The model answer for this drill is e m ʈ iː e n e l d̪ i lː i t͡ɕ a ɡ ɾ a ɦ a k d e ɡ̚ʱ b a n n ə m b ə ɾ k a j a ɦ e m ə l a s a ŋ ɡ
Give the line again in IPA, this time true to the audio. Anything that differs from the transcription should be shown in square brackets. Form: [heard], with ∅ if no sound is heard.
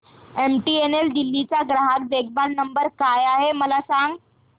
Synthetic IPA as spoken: e m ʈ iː e n e l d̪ i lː i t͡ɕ a ɡ ɾ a ɦ a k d e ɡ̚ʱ b a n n ə m b ə ɾ k a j a ɦ e m ə l a s a ŋ ɡ